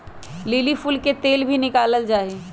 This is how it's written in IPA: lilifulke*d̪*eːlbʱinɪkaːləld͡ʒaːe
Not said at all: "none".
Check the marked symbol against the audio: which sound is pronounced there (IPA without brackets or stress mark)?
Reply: t̪